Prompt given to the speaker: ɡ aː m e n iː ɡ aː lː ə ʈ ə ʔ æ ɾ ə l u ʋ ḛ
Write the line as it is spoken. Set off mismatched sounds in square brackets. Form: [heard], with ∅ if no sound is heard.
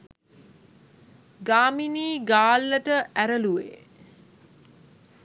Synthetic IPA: ɡ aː m [i] n iː ɡ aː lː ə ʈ ə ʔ æ ɾ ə l u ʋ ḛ